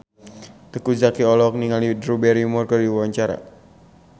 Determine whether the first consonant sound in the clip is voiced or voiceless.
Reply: voiceless